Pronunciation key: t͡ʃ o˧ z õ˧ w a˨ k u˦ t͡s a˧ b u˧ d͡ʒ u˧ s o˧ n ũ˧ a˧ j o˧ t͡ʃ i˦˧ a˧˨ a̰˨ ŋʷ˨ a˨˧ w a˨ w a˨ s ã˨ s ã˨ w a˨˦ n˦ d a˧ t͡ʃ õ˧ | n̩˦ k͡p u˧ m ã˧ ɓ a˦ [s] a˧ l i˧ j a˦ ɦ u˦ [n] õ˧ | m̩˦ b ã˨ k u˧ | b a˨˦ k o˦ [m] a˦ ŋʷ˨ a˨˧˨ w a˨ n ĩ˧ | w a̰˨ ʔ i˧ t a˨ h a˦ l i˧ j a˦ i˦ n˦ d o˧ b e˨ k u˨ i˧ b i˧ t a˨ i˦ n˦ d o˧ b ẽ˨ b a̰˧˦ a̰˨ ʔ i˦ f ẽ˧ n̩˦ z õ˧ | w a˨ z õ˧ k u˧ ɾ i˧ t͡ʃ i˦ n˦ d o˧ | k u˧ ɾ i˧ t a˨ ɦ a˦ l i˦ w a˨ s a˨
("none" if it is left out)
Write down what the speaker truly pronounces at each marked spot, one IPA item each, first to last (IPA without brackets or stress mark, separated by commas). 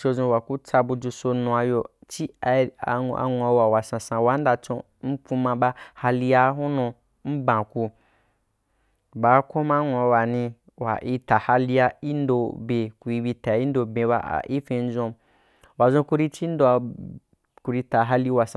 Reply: h, n, m